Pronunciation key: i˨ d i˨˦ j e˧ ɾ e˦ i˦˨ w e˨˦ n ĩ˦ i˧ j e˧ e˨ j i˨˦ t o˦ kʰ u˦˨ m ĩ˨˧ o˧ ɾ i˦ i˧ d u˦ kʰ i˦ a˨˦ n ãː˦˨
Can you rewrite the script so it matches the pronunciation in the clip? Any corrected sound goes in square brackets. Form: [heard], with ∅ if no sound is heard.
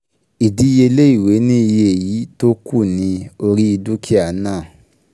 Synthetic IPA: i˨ d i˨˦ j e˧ [l] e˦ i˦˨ w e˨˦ n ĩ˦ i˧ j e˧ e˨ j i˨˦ t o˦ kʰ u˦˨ [n] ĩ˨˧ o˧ ɾ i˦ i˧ d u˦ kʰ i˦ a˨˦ n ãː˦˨